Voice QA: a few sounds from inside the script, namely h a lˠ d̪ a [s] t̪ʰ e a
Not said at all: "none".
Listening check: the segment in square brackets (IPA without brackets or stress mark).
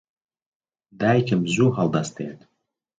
s